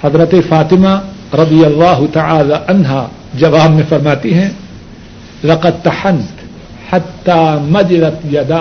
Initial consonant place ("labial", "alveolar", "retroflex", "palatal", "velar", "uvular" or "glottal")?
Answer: glottal